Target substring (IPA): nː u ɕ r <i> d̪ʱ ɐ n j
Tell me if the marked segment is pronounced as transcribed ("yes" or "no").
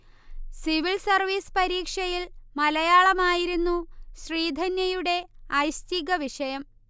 no